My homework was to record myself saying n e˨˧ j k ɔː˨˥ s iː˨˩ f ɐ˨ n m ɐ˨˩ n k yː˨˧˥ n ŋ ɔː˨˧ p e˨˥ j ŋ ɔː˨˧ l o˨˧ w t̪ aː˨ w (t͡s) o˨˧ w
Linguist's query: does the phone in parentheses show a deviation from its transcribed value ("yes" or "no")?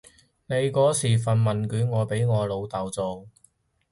no